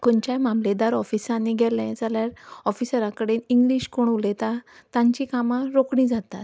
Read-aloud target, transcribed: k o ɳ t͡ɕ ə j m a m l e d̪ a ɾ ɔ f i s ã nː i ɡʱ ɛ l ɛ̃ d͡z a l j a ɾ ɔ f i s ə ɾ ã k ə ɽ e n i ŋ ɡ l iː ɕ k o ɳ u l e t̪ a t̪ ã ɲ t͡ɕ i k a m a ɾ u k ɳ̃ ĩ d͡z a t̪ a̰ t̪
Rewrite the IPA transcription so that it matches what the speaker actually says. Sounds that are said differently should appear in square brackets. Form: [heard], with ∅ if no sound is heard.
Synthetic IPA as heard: k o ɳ t͡ɕ [a] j m a m l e d̪ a ɾ ɔ f i s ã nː i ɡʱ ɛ l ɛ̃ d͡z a l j a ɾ ɔ f i s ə ɾ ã k ə ɽ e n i ŋ ɡ l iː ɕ k o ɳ u l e t̪ a t̪ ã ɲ t͡ɕ i k a m a ɾ [o] k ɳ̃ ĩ d͡z a t̪ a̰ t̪